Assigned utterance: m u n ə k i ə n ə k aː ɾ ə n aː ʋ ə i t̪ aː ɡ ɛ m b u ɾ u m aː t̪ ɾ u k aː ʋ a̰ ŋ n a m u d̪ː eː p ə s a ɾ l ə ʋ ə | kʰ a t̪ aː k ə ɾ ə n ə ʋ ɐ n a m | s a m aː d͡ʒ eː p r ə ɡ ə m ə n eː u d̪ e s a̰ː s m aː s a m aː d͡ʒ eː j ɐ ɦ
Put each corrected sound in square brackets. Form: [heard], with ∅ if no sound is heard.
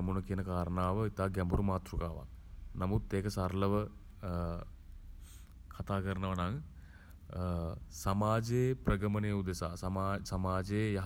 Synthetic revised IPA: m u n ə k i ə n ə k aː ɾ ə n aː ʋ ə i t̪ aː ɡ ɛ m b u ɾ u m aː t̪ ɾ u k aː ʋ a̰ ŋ n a m u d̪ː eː [k] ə s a ɾ l ə ʋ ə | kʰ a t̪ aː k ə ɾ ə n ə ʋ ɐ n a [ŋ] | s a m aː d͡ʒ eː p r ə ɡ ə m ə n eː u d̪ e s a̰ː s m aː s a m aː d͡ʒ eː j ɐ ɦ